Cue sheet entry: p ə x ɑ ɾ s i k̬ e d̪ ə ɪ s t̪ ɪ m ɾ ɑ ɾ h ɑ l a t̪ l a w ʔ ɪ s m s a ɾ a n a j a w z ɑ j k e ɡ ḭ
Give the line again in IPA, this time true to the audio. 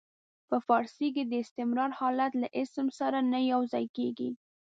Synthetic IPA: p ə f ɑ ɾ s i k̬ e d̪ ə ɪ s t̪ ɪ m ɾ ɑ ɾ h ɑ l a t̪ l a ʔ ɪ s m s a ɾ a n a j a w z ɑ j k e ɡ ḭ